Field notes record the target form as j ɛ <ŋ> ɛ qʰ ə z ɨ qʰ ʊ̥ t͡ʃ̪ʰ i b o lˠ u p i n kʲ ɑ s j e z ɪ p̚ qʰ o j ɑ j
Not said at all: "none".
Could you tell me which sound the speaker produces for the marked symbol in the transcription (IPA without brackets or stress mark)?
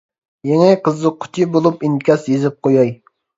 ŋ